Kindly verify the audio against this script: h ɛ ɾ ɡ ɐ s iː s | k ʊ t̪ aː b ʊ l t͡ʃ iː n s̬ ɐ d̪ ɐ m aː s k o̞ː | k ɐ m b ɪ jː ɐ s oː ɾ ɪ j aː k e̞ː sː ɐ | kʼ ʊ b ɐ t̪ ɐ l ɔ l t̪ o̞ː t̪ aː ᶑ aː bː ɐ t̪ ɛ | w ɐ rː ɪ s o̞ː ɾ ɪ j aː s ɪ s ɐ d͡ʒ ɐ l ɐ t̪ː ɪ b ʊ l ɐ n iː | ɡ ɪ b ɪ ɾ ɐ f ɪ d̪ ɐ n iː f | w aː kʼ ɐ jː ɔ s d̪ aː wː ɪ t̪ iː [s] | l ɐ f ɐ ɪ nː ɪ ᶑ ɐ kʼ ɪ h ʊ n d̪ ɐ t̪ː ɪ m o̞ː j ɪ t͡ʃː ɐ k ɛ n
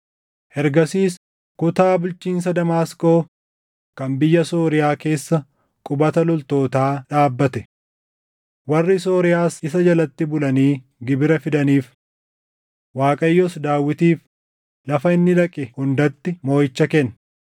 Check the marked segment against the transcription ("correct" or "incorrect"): incorrect